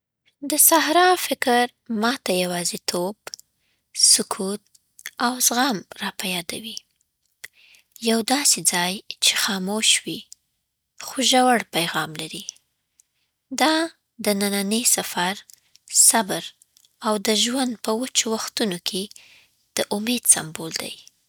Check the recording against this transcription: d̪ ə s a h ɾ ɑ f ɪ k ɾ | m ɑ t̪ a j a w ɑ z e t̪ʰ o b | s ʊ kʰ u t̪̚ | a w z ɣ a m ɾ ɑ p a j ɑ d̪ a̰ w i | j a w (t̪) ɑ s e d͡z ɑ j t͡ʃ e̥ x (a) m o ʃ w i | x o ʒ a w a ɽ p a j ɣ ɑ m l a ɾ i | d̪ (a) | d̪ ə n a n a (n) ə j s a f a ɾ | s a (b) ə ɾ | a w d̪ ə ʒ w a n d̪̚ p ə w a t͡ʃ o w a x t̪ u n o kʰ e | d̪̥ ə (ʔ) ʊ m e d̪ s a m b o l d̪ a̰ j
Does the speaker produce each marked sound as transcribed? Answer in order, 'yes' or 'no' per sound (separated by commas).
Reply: no, no, no, yes, yes, yes